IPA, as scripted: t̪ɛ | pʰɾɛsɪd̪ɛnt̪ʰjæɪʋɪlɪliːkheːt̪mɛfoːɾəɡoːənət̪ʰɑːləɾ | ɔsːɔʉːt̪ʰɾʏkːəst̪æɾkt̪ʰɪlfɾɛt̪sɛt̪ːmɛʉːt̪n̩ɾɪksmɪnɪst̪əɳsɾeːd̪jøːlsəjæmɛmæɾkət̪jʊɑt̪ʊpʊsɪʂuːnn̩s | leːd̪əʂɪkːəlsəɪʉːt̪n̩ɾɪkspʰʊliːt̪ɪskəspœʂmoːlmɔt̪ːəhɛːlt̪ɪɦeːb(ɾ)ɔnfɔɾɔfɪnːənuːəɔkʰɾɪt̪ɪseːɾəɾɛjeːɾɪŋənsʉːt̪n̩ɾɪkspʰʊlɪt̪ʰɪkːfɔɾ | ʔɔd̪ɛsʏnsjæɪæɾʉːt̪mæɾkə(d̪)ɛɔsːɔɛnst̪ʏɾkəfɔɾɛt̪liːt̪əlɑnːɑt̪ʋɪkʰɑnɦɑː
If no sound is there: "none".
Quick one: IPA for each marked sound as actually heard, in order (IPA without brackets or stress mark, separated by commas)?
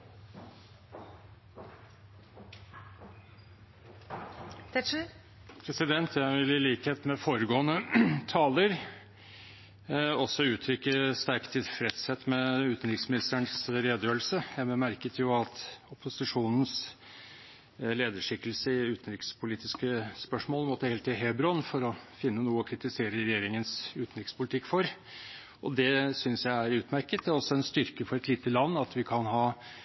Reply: ɾ, t̪